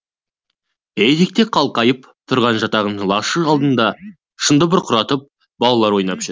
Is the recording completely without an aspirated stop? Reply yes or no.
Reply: no